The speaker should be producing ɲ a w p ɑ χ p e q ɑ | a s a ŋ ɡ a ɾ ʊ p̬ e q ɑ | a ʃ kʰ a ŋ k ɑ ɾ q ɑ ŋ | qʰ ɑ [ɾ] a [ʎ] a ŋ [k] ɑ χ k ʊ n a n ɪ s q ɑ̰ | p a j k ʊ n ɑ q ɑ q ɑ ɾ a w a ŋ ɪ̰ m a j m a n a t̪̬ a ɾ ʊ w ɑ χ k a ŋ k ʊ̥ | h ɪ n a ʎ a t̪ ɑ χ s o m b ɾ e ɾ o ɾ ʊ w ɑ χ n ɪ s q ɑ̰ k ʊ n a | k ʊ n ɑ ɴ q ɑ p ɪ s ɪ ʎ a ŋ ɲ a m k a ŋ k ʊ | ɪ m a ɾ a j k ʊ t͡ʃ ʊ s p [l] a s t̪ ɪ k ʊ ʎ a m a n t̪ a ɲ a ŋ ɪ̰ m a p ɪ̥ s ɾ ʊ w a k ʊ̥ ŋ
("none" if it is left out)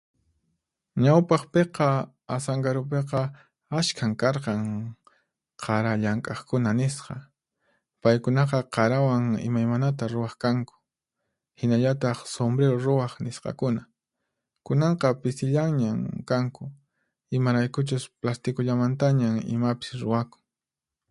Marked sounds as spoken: ɾ, ʎ, kʼ, l

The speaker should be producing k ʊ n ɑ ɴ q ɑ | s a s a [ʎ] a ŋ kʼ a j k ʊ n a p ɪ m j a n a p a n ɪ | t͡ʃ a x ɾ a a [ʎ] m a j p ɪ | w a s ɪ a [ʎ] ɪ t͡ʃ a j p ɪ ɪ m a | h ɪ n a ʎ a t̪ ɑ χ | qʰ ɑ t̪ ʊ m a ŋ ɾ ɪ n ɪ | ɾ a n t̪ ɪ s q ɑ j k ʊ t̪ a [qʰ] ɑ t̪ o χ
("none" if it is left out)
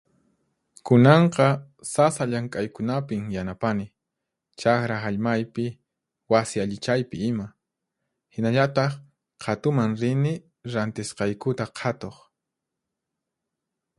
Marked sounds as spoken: ʎ, ʎ, ʎ, qʰ

